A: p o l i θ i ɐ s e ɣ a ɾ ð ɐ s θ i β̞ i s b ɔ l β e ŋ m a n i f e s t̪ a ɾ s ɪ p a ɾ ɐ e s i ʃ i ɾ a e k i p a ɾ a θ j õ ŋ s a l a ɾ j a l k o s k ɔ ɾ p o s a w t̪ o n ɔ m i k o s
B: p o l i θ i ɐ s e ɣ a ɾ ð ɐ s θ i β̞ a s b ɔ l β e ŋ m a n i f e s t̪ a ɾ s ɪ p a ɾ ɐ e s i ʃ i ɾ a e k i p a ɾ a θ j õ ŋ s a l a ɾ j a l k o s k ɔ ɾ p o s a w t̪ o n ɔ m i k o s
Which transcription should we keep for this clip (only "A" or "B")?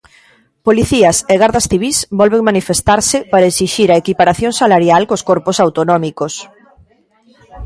A